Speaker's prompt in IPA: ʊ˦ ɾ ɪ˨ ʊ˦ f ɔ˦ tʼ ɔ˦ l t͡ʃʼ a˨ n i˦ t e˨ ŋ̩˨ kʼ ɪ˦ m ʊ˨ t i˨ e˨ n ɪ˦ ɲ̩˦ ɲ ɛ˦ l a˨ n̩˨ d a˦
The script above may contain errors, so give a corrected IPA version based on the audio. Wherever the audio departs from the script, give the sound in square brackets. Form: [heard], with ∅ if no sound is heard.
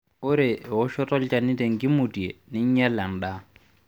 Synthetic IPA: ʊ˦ ɾ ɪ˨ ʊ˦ [ʃ] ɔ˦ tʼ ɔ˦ l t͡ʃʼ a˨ n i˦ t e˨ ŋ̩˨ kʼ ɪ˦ m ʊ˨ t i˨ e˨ n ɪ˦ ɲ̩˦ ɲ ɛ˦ l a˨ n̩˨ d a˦